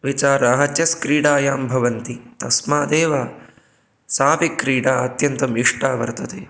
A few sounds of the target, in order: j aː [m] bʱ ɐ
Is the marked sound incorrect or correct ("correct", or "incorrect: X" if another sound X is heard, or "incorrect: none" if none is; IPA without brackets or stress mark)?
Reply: correct